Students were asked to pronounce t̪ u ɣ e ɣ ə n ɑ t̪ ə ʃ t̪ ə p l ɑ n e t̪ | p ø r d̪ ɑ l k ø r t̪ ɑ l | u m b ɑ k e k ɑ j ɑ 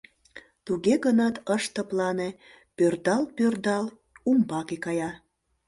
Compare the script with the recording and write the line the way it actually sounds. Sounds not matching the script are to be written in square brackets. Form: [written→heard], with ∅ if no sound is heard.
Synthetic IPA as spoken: t̪ u ɣ e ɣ ə n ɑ t̪ ə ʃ t̪ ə p l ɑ n e [t̪→∅] | p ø r d̪ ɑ l [k→p] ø r [t̪→d̪] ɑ l | u m b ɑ k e k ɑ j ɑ